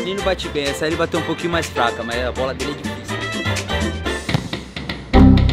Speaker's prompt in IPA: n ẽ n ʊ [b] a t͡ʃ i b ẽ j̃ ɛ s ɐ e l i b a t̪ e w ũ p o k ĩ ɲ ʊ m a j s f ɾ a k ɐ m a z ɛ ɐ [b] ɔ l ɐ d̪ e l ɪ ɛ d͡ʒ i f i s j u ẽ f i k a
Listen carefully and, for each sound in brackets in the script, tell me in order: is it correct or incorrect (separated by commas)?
correct, correct